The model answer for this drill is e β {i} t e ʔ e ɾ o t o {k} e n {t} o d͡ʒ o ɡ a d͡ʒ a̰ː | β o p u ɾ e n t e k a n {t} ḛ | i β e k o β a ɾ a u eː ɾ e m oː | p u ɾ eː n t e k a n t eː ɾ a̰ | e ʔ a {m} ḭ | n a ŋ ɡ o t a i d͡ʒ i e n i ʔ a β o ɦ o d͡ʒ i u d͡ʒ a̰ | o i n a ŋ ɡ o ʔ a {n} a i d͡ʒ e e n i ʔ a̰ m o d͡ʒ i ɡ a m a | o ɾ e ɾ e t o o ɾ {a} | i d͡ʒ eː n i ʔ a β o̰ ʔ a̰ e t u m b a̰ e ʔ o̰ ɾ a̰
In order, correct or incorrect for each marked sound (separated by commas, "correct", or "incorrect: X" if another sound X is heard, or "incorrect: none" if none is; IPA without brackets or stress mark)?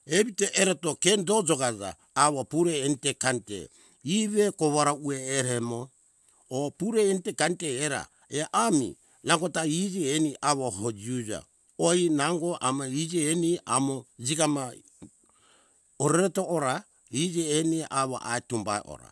correct, correct, incorrect: d, correct, correct, incorrect: m, correct